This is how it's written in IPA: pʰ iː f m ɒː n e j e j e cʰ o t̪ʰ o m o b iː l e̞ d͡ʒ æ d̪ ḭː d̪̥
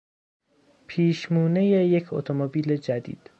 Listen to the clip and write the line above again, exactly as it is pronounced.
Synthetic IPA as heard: pʰ iː ʃ m uː n e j e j e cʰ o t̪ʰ o m o b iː l e̞ d͡ʒ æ d̪ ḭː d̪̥